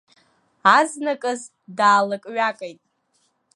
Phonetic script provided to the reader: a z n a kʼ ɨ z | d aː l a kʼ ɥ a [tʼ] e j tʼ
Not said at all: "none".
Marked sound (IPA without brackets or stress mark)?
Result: kʼ